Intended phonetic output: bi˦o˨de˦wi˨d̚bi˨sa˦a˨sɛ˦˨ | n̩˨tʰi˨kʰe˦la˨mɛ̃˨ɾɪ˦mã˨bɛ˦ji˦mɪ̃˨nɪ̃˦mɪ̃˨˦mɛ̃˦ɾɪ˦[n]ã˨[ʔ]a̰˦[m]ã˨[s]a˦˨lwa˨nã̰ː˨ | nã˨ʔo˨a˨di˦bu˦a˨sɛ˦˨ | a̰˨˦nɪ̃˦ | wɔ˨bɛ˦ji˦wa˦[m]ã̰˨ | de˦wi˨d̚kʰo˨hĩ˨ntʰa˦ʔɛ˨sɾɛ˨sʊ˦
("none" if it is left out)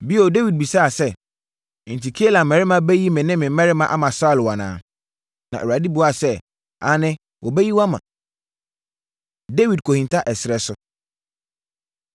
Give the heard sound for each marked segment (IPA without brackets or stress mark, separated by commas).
m, ʔ, m, s, m